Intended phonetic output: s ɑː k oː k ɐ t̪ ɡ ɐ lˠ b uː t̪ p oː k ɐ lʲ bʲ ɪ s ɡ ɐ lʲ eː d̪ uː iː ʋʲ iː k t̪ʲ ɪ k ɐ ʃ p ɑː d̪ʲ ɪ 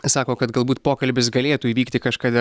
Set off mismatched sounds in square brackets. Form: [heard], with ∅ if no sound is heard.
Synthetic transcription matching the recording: s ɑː k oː k ɐ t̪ ɡ ɐ lˠ b uː t̪ p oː k ɐ lʲ bʲ ɪ s ɡ ɐ lʲ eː [t̪] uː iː ʋʲ iː k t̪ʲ ɪ k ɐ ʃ [k] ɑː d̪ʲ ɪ